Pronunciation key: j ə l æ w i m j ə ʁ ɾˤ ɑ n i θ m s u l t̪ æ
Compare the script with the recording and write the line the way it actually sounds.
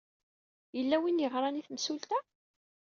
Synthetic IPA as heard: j ə lː æ w i n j ə ʁ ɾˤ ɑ n i θ m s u l t̪ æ

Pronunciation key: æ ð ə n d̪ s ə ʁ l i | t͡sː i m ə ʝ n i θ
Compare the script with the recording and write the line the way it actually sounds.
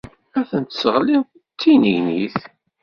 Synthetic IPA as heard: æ θ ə n t̪ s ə ʁ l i | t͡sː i n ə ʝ n i θ

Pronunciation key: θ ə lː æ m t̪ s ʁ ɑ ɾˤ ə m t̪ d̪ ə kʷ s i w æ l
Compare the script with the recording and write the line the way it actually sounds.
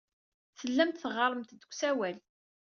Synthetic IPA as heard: θ ə lː æ m t̪ θ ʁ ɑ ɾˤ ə m t̪ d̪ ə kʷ s æ w æ l

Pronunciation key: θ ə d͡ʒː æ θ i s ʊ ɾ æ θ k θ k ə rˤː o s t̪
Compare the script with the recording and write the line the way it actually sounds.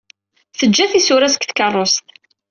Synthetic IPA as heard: θ ə d͡ʒː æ θ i s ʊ ɾ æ s k θ k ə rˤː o s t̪

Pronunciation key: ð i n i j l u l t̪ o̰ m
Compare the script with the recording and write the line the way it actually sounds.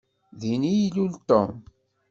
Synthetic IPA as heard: ð i n i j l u l t̪ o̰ m

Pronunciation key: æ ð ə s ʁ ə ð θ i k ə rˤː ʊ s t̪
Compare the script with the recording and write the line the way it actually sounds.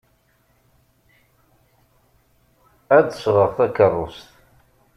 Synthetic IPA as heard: æ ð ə s ʁ ə ʁ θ æ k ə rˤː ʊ s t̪

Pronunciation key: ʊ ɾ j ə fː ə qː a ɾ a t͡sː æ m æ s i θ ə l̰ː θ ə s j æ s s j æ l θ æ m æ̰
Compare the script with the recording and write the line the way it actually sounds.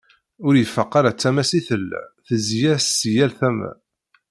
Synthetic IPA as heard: ʊ ɾ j ə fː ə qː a ɾ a t͡sː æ m æ s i θ ə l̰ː θ ə z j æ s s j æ l θ æ m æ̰

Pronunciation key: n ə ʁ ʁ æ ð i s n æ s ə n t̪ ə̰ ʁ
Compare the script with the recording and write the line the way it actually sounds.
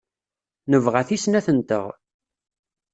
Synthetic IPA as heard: n ə v ʁ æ θ i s n æ θ ə n t̪ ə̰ ʁ

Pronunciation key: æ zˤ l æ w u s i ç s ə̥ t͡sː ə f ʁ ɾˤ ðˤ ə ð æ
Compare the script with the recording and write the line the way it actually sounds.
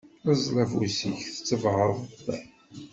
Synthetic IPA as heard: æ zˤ l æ v u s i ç θ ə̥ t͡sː ə v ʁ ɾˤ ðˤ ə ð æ

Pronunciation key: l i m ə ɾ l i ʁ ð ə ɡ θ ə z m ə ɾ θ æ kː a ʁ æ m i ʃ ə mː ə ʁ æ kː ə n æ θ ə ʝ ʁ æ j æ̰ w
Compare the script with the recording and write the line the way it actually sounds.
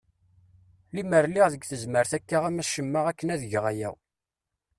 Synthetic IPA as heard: l i m ə ɾ l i ʁ ð ə ɡ θ ə z m ə ɾ θ æ kː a ʁ æ m æ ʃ ə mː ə ʁ æ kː ə n æ ð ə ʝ ʁ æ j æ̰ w

